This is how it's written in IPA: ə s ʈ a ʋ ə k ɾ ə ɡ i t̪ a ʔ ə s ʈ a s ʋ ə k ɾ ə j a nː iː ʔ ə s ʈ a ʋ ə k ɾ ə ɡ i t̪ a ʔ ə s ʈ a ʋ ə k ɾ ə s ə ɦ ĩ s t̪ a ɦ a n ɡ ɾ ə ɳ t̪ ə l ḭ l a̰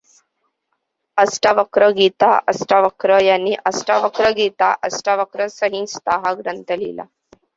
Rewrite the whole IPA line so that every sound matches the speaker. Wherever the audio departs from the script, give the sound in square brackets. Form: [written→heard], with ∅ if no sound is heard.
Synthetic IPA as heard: ə s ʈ a ʋ ə k ɾ ə ɡ i t̪ a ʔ ə s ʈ a [s→∅] ʋ ə k ɾ ə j a nː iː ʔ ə s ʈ a ʋ ə k ɾ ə ɡ i t̪ a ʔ ə s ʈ a ʋ ə k ɾ ə s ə ɦ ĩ s t̪ a ɦ a [n→∅] ɡ ɾ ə [ɳ→n] t̪ ə l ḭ l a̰